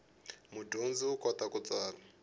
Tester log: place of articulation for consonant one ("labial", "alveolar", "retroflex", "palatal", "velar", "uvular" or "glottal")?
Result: labial